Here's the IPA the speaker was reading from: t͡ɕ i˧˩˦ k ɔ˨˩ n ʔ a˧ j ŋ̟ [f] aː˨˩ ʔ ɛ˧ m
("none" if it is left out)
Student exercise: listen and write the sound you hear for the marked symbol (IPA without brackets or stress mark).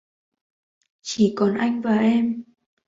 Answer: v